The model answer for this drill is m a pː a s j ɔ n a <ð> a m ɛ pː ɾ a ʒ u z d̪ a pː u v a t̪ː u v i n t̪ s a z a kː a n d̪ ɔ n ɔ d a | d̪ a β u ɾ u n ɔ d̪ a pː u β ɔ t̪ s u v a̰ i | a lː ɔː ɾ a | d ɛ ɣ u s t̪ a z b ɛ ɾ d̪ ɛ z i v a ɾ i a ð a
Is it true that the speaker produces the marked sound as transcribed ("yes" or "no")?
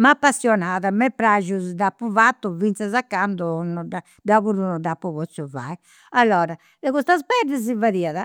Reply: yes